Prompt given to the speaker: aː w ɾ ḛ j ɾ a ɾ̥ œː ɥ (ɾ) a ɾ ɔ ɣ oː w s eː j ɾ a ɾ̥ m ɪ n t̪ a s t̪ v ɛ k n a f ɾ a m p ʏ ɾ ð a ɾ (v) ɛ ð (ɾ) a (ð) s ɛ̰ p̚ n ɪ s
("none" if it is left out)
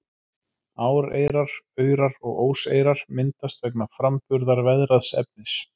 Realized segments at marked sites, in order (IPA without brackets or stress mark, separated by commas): ɾ, v, ɾ, ð